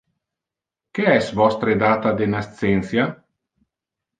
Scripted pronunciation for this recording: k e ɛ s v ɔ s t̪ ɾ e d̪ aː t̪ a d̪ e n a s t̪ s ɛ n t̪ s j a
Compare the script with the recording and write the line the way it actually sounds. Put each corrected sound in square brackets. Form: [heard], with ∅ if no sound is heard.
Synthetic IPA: k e ɛ s v ɔ s t̪ ɾ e d̪ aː t̪ a d̪ e n a s t̪ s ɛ n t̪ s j a